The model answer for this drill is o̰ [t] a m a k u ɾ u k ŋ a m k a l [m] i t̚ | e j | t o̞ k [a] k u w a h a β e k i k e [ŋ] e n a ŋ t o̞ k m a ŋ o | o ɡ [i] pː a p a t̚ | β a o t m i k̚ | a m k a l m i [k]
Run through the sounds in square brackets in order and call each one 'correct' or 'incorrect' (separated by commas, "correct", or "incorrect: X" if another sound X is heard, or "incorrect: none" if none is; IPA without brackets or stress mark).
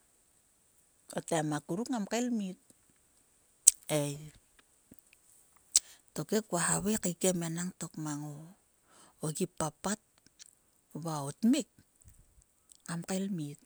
correct, correct, incorrect: e, incorrect: m, correct, incorrect: t